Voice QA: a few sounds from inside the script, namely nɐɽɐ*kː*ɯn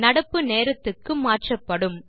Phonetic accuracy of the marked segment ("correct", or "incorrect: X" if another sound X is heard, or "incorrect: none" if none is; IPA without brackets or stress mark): incorrect: pː